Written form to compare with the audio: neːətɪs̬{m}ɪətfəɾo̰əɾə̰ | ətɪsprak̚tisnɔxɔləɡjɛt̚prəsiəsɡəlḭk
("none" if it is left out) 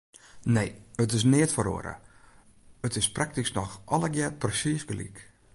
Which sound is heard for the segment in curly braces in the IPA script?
n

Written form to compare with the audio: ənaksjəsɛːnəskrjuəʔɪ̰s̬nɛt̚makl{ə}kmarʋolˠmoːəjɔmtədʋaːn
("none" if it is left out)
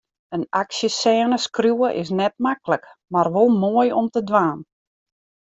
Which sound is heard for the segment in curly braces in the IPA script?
ə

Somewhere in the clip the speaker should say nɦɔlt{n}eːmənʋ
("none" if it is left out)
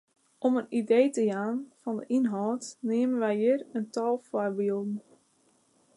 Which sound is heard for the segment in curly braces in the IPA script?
n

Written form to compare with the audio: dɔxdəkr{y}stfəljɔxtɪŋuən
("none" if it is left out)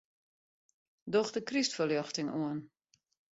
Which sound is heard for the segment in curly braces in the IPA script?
i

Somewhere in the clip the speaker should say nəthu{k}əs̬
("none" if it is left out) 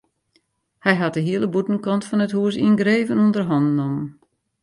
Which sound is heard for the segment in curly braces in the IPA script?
none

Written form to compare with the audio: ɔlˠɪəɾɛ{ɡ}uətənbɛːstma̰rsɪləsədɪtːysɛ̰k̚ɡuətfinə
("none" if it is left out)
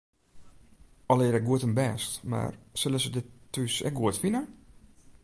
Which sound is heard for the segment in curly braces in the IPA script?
ɡ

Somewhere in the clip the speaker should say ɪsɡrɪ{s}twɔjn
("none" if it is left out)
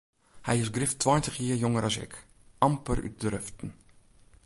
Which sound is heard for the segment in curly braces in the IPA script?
f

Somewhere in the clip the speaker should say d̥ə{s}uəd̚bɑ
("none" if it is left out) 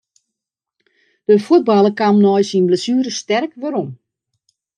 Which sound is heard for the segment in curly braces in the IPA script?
f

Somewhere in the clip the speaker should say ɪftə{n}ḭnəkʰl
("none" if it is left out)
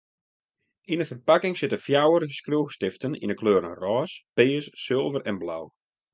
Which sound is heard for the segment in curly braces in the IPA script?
n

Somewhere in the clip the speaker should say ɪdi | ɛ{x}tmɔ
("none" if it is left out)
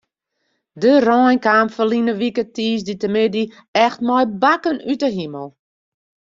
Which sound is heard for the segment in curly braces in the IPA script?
x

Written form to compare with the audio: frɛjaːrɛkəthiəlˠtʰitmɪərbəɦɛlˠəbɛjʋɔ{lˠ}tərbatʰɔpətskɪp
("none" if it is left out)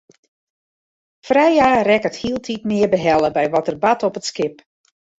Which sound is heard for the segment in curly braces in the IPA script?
none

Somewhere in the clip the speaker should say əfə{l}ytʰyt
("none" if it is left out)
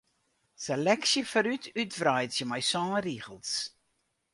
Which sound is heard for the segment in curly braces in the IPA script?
ɾ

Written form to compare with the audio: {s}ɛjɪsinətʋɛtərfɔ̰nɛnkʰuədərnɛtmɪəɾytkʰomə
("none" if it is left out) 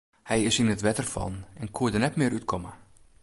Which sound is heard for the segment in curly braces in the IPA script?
h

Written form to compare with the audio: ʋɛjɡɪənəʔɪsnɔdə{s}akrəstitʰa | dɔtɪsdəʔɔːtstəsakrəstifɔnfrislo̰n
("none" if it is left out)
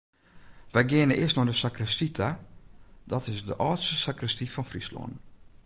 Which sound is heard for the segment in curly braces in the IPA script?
s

